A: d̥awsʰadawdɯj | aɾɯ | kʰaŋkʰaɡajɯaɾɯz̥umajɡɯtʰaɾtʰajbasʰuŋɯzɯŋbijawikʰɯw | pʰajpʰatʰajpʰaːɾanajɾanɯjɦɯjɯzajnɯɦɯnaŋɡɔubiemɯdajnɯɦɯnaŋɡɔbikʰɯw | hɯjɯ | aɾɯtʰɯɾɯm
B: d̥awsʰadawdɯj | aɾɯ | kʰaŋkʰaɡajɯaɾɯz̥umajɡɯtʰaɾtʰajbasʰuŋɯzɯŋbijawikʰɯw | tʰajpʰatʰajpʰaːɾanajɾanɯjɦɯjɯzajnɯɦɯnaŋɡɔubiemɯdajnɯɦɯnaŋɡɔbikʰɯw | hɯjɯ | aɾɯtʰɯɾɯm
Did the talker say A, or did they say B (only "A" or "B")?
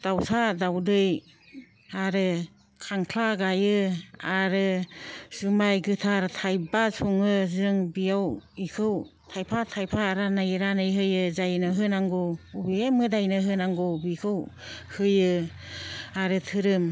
B